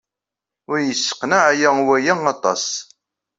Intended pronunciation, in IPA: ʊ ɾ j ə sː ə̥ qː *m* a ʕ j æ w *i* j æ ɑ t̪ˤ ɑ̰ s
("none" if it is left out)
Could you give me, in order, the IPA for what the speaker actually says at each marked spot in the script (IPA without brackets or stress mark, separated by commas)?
n, æ